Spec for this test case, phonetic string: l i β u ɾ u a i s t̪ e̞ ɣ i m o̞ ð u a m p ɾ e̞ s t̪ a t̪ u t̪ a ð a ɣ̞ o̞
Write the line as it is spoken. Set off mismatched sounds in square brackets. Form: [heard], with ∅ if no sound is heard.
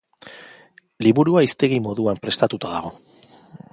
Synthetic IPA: l i β u ɾ u a i s t̪ e̞ ɣ i m o̞ ð u a m p ɾ e̞ s t̪ a t̪ u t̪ a ð a ɣ̞ o̞